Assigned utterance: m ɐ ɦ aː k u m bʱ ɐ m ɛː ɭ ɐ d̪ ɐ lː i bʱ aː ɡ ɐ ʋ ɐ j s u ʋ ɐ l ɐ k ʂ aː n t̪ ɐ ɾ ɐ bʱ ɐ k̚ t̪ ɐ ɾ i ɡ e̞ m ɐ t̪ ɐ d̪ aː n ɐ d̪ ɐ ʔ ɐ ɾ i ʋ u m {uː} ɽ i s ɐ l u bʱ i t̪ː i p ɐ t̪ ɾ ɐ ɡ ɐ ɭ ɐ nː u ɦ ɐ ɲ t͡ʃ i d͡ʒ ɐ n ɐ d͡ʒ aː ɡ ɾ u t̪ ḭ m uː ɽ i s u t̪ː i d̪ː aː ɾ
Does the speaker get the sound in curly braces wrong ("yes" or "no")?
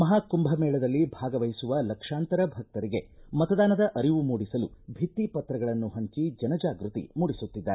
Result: no